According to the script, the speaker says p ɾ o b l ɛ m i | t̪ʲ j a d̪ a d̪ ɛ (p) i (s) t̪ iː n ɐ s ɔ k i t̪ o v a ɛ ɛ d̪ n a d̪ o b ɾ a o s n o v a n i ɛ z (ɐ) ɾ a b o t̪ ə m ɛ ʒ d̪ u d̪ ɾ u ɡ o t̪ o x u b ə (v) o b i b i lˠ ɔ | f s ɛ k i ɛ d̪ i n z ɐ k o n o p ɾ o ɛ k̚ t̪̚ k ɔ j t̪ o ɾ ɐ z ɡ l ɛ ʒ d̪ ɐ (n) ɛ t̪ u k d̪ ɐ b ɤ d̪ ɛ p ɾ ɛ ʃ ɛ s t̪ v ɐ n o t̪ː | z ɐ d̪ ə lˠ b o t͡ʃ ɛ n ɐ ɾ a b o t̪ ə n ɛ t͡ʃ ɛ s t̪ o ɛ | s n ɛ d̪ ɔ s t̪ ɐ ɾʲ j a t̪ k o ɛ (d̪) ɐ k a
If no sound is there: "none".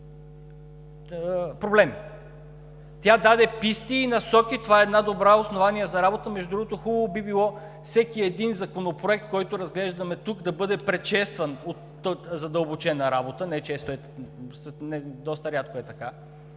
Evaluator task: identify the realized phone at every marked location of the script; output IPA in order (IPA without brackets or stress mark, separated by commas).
p, s, ɐ, v, m, t̪